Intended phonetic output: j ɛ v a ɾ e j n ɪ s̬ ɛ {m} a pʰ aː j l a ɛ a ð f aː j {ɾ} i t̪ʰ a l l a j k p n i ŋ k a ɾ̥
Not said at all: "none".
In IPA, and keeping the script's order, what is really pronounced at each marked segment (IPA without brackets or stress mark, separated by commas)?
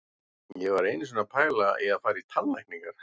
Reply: n, ɾ